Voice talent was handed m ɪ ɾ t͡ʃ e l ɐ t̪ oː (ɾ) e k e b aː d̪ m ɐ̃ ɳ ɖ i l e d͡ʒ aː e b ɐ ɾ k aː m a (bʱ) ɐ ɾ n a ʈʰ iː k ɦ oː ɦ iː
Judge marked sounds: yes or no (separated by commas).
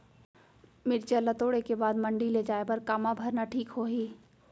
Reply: no, yes